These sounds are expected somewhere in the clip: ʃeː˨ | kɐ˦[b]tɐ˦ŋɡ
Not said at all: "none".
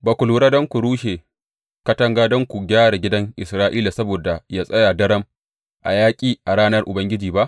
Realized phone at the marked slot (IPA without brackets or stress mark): none